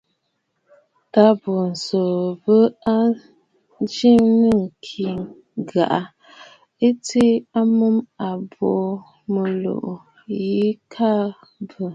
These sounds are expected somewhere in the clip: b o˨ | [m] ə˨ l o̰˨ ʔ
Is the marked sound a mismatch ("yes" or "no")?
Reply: no